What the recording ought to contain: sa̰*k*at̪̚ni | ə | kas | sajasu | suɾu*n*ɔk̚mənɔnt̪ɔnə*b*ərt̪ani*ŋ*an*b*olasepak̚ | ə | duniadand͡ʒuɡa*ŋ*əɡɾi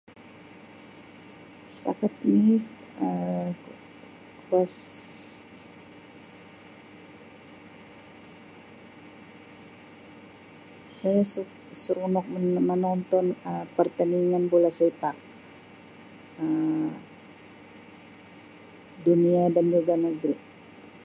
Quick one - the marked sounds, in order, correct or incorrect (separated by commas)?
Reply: correct, correct, incorrect, correct, correct, incorrect